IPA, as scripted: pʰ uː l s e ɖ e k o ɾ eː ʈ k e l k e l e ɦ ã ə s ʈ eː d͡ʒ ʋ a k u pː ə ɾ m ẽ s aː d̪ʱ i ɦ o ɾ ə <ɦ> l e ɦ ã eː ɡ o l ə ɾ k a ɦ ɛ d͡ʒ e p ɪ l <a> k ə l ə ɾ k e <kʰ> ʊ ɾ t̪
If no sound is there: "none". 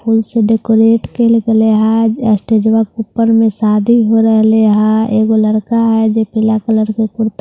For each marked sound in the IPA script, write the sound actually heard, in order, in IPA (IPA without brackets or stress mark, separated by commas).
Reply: ɦ, a, k